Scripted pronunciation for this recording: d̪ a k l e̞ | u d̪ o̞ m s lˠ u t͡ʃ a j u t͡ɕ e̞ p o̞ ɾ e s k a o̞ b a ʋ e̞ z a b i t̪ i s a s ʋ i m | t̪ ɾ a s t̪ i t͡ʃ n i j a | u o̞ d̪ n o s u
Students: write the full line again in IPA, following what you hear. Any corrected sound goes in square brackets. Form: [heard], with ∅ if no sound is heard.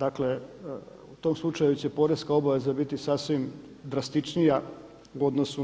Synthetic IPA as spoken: d̪ a k l e̞ | u [t̪] o̞ m s lˠ u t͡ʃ a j u t͡ɕ e̞ p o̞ ɾ e s k a o̞ b a ʋ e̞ z a b i t̪ i s a s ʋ i m | [d̪] ɾ a s t̪ i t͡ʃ n i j a | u o̞ d̪ n o s u